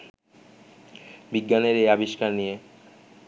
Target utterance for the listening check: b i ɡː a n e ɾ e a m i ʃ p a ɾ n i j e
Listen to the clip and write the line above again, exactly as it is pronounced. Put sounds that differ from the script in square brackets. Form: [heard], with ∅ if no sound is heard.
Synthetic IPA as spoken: b i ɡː a n e ɾ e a [b] i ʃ [k] a ɾ n i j e